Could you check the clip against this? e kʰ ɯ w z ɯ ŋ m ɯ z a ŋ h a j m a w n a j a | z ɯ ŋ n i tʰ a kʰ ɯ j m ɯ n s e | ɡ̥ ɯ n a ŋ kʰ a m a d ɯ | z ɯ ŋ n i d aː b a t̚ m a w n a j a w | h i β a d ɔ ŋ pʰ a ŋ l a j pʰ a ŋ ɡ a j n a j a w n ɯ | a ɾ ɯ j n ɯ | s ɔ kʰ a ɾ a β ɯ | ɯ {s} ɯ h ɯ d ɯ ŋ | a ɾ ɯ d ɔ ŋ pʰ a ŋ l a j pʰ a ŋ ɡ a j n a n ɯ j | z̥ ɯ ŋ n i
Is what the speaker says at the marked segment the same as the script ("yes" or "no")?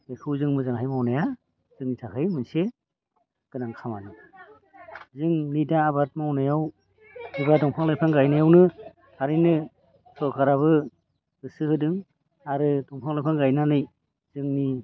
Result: yes